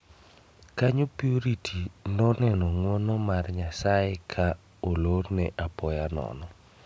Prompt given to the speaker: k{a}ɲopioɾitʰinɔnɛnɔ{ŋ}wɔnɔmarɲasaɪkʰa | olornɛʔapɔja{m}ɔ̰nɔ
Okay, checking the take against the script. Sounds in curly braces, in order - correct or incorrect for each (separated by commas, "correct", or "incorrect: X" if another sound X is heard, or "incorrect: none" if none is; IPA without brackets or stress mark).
correct, correct, incorrect: n